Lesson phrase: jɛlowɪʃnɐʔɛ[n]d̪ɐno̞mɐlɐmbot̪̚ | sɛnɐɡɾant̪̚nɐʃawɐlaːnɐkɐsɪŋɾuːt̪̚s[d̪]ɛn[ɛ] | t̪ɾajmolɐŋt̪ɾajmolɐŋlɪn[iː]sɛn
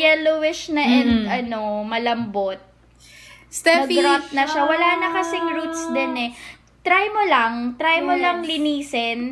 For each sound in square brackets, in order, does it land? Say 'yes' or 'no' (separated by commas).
yes, yes, yes, yes